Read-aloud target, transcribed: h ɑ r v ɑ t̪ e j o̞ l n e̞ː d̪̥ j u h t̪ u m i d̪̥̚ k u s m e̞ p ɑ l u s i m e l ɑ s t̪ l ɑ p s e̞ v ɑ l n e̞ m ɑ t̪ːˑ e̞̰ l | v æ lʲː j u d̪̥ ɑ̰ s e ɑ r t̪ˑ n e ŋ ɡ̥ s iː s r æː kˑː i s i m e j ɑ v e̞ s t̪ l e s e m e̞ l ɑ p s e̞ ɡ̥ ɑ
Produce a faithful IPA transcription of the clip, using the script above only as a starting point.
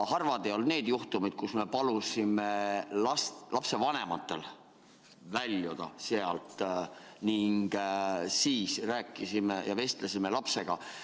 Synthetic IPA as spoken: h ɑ r v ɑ d̪ e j o̞ l n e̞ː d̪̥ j u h t̪ u m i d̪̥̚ k u s m e̞ p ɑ l u s i m e l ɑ s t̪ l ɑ p s e̞ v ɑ n e̞ m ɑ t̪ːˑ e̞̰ l | v æ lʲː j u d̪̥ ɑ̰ s e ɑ l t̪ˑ n i ŋ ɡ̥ s iː s r æː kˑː i s i m e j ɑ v e̞ s t̪ l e s i m e̞ l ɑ p s e̞ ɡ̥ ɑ